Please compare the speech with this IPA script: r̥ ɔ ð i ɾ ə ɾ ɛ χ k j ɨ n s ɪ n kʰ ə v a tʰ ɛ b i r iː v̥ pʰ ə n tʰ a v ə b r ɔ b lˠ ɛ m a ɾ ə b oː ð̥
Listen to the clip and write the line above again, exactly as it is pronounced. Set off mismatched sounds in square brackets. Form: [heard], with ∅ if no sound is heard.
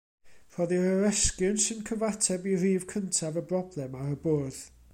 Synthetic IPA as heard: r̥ ɔ ð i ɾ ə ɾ ɛ [s] k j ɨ n s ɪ n kʰ ə v a tʰ ɛ b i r iː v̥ [kʰ] ə n tʰ a v ə b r ɔ b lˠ ɛ m a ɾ ə b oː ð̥